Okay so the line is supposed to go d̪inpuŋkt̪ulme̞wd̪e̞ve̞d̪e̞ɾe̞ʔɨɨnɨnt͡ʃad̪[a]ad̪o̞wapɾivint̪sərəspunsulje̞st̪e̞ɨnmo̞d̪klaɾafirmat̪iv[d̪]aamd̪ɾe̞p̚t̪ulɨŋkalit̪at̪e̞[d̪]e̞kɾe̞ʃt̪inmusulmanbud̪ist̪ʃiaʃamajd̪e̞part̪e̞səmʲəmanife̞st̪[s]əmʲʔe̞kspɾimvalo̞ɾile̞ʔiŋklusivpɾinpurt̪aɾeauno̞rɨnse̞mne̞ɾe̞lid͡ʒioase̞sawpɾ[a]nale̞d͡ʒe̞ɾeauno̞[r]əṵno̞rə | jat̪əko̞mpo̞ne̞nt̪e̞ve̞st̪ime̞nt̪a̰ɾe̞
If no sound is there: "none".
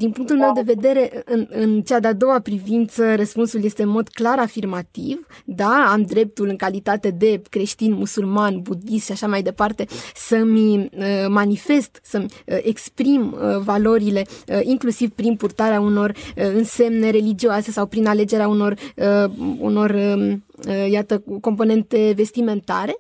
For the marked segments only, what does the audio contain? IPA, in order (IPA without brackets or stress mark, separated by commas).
e, d̪, d̪, s, i, r